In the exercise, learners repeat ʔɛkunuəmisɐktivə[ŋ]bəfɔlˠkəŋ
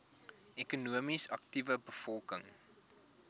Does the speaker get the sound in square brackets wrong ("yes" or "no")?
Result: yes